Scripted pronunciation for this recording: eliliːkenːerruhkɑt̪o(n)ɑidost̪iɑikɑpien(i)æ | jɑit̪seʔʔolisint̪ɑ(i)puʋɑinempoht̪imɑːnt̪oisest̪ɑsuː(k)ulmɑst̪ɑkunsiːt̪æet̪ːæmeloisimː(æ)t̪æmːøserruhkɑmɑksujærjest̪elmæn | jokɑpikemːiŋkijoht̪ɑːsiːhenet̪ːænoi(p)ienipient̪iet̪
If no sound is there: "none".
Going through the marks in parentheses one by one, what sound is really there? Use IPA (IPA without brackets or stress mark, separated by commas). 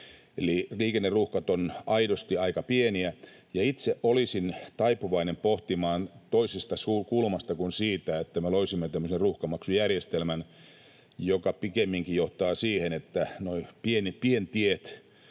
n, i, i, k, e, p